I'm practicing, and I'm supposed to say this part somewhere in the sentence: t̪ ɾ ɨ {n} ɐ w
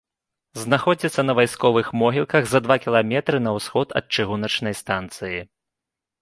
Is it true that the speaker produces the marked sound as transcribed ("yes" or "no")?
yes